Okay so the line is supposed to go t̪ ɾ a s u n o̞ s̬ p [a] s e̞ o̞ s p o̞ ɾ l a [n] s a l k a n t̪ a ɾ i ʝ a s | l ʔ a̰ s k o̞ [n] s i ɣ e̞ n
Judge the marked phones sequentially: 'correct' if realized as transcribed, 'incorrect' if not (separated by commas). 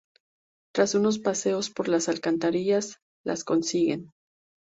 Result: correct, incorrect, correct